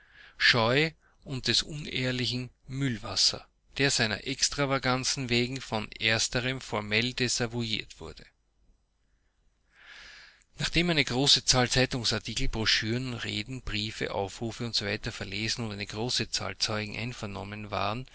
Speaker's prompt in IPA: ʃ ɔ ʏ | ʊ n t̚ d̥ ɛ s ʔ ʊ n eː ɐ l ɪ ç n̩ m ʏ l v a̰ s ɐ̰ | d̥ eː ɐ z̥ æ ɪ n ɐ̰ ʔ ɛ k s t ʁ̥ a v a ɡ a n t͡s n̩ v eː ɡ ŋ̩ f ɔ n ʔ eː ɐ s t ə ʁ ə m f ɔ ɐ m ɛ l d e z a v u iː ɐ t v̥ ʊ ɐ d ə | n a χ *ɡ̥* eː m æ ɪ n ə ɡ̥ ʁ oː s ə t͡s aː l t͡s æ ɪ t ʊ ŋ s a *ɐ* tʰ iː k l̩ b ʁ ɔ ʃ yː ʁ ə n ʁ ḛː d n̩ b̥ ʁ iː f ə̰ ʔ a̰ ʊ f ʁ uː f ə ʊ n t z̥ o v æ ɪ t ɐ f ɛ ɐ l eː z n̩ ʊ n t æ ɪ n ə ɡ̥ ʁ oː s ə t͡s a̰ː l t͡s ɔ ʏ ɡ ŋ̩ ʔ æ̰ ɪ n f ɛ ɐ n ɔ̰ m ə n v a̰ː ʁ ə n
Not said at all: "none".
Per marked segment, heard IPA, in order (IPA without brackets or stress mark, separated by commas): d̥, ɐ